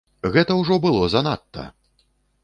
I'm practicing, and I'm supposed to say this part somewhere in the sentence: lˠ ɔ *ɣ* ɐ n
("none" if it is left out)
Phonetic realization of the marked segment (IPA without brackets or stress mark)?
z